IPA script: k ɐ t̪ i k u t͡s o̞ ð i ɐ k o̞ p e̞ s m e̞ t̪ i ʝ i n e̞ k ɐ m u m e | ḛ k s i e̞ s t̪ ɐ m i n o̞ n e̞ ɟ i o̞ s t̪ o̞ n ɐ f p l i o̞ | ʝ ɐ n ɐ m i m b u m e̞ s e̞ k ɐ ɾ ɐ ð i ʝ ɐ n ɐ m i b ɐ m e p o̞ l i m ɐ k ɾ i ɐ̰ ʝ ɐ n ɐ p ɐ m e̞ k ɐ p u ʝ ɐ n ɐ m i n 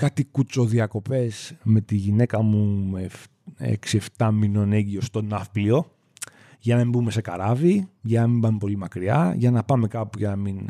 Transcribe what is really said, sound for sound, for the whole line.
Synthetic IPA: k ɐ t̪ i k u t͡s o̞ ð i ɐ k o̞ p e̞ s m e̞ t̪ i ʝ i n e̞ k ɐ m u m e | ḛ k s i e̞ f t̪ ɐ m i n o̞ n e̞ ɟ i o̞ s t̪ o̞ n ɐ f p l i o̞ | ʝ ɐ n ɐ m i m b u m e̞ s e̞ k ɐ ɾ ɐ v i ʝ ɐ n ɐ m i b ɐ m e p o̞ l i m ɐ k ɾ i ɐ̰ ʝ ɐ n ɐ p ɐ m e̞ k ɐ p u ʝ ɐ n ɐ m i n